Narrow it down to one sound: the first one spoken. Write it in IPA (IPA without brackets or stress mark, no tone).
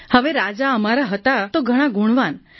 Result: h